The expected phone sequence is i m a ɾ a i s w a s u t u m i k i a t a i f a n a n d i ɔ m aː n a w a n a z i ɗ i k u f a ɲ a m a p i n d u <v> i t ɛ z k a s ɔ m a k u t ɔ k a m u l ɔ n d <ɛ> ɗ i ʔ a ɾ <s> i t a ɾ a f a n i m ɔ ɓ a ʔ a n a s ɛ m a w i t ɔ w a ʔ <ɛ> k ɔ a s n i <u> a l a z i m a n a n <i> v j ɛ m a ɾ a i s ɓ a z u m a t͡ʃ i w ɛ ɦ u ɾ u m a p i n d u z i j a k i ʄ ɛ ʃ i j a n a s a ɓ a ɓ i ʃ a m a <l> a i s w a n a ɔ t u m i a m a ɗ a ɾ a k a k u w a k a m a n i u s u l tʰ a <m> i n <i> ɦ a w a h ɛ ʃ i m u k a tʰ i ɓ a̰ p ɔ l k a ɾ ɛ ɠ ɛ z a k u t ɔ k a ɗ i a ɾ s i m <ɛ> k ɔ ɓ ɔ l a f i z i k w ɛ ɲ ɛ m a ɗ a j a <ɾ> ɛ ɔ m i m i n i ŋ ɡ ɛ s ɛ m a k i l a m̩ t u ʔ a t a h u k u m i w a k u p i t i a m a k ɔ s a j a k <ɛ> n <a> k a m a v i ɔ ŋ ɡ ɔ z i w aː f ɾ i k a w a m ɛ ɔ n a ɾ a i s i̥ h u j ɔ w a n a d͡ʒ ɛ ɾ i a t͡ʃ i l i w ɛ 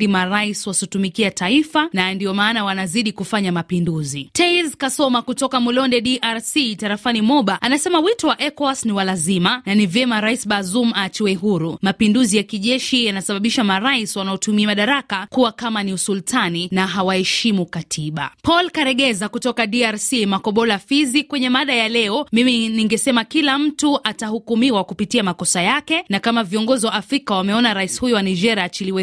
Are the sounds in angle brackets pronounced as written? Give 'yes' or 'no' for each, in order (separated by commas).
no, yes, yes, yes, no, yes, no, no, no, no, no, yes, yes